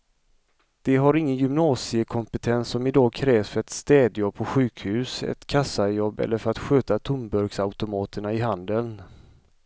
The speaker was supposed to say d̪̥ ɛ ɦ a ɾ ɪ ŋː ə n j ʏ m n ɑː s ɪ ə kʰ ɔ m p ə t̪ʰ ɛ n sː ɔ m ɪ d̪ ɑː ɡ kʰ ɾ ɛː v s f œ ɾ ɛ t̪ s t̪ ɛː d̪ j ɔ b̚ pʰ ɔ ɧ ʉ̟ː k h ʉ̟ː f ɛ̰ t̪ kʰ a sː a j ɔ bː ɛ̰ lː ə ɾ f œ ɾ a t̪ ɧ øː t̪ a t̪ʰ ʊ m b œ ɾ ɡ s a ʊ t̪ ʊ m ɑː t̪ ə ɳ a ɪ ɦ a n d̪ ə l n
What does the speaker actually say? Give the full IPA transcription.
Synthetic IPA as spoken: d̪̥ ɛ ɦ a ɾ ɪ ŋː ə n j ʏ m n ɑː s ɪ ə kʰ ɔ m p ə t̪ʰ ɛ n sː ɔ m ɪ d̪ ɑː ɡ kʰ ɾ ɛː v s f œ ɾ ɛ t̪ s t̪ ɛː d̪ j ɔ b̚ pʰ ɔ ɧ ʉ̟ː k h ʉ̟ː s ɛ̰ t̪ kʰ a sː a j ɔ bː ɛ̰ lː ə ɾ f œ ɾ a t̪ ɧ øː t̪ a t̪ʰ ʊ m b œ ɾ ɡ s a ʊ t̪ ʊ m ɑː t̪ ə ɳ a ɪ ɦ a n d̪ ə l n